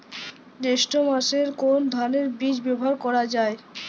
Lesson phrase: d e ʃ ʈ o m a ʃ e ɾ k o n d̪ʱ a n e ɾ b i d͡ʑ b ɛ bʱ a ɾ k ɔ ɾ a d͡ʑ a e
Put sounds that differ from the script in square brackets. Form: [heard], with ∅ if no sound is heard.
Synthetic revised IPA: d e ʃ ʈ o m a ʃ e ɾ k o n d̪ʱ a n e ɾ b i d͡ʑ b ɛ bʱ a ɾ k ɔ ɾ a d͡ʑ a e